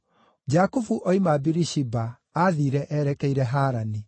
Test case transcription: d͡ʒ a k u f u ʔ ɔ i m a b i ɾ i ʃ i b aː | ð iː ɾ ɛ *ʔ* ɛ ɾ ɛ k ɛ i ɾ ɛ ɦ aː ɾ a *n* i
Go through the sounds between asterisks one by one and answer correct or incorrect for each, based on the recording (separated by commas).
correct, correct